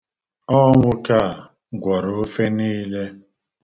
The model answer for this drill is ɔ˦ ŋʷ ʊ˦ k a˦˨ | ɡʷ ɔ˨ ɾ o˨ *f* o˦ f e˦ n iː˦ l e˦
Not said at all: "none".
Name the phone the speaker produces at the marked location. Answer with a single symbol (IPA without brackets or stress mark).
none